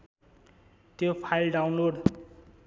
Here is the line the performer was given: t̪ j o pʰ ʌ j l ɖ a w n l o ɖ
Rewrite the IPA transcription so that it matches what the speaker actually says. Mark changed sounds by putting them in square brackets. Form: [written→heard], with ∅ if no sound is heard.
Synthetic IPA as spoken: t̪ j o pʰ [ʌ→a] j l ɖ a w n l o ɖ